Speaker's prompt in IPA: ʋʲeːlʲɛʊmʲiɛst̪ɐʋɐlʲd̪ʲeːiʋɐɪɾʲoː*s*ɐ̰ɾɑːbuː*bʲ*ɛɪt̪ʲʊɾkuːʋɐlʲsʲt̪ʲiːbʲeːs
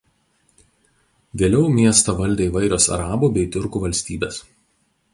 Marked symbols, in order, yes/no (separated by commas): yes, yes